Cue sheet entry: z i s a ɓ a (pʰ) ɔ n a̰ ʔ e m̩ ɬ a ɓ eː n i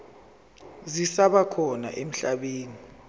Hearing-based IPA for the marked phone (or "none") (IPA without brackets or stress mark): kʰ